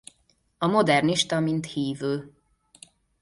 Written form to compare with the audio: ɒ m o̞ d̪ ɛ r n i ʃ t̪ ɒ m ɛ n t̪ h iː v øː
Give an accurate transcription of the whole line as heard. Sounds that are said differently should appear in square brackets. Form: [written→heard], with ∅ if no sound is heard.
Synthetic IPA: ɒ m o̞ d̪ ɛ r n i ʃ t̪ ɒ m [ɛ→i] n t̪ h iː v øː